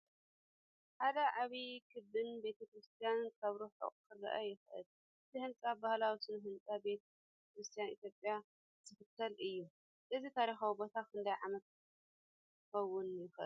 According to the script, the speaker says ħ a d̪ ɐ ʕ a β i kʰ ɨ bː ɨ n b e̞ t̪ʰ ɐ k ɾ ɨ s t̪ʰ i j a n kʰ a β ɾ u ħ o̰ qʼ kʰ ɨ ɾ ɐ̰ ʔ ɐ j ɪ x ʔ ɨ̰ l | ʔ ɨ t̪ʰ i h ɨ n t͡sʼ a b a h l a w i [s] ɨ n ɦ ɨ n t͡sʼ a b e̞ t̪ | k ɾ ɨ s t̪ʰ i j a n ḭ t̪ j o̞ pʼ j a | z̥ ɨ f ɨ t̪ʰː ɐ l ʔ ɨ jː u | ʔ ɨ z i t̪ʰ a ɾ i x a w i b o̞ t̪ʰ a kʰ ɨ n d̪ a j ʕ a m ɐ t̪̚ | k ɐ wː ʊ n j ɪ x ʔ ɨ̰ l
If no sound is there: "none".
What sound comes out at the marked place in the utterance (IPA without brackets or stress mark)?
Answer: s